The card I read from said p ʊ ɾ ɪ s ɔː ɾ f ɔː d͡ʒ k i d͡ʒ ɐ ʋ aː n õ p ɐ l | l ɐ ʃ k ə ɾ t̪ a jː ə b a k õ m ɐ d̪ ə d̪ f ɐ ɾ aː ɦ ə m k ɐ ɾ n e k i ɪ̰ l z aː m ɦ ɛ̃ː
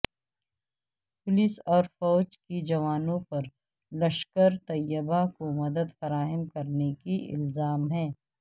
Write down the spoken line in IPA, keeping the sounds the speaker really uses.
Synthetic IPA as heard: p ʊ l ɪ s ɔː ɾ f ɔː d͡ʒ k i d͡ʒ ɐ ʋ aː n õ p ɐ ɾ | l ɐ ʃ k ə ɾ t̪ ɐ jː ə b a k o m ɐ d̪ ə d̪ f ɐ ɾ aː ɦ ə m k ɐ ɾ n e k i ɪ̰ l z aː m ɦ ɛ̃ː